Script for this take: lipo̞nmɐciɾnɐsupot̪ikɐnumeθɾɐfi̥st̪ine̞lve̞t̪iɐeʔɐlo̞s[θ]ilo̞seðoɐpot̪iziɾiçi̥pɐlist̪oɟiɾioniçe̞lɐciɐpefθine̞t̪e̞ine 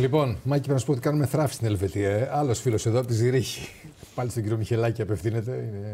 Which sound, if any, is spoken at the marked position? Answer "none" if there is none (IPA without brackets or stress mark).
f